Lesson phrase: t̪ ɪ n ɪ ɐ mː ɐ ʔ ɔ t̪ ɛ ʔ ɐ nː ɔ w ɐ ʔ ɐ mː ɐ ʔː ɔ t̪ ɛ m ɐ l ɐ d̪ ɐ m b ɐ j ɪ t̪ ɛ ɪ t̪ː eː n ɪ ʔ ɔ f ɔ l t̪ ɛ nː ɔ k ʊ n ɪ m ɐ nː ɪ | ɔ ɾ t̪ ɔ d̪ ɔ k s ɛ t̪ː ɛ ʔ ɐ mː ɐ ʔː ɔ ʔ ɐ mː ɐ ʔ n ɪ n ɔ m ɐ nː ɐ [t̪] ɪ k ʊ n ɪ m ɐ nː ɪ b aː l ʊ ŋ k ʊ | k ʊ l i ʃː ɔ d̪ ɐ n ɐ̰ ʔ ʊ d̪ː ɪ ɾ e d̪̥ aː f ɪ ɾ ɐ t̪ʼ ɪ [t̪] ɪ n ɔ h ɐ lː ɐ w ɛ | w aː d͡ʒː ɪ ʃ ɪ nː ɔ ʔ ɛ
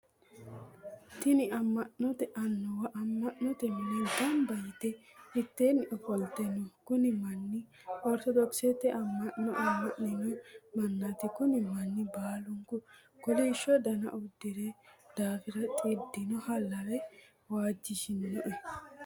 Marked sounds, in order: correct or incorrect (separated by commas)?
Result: correct, incorrect